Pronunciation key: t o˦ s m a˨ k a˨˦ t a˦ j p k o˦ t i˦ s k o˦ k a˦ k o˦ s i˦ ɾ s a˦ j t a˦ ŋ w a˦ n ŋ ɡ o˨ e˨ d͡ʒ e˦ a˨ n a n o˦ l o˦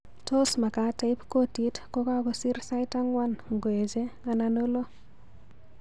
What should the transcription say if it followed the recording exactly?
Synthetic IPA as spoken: t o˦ s m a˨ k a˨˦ t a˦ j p k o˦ t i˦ t k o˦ k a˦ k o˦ s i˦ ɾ s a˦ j t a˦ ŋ w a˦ n ŋ ɡ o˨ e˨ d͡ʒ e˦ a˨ n a n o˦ l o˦